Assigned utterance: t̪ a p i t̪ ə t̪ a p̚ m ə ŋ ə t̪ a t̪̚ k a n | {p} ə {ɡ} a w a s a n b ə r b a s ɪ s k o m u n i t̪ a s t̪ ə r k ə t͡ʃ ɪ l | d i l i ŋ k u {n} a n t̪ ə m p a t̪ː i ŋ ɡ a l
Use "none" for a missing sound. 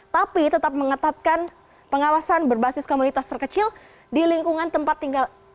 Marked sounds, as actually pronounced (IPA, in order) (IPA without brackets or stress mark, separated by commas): p, ŋ, ŋ